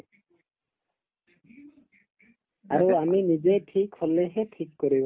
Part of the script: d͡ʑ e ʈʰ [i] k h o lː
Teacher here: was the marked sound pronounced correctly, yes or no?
yes